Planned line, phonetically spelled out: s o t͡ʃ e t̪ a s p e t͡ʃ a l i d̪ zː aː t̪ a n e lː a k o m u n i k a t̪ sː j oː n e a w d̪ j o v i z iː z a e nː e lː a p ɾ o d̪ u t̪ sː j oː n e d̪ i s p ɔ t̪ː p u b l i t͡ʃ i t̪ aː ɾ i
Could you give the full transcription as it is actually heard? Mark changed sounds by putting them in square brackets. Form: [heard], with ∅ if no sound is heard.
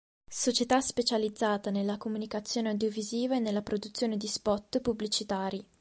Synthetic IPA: s o t͡ʃ e t̪ a s p e t͡ʃ a l i d̪ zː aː t̪ a n e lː a k o m u n i k a t̪ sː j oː n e a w d̪ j o v i z iː [v] a e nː e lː a p ɾ o d̪ u t̪ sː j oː n e d̪ i s p ɔ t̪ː p u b l i t͡ʃ i t̪ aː ɾ i